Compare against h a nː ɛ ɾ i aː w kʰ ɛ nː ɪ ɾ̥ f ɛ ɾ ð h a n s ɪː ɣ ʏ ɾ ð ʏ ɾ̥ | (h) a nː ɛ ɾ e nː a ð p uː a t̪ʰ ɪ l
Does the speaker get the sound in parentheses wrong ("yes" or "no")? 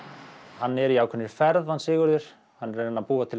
no